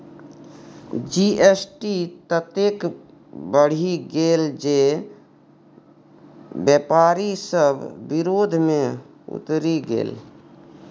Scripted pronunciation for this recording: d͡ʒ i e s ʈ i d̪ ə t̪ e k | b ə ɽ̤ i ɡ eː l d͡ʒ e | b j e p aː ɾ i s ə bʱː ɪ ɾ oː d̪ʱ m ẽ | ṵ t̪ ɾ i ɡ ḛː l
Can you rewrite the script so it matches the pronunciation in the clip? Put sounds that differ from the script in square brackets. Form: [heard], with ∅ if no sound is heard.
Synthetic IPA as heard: d͡ʒ i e s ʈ i [t̪] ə t̪ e k | b ə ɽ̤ i ɡ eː l d͡ʒ e | b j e p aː ɾ i s ə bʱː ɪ ɾ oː d̪ʱ m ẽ | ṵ t̪ ɾ i ɡ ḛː l